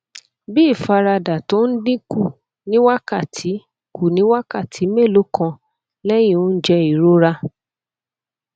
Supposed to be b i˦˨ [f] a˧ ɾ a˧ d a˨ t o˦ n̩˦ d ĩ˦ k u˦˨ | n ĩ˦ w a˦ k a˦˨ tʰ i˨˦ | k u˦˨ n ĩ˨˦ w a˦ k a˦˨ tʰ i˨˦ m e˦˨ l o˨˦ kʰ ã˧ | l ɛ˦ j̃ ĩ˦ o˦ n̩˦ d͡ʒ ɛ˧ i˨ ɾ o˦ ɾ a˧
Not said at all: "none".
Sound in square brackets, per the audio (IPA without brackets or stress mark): f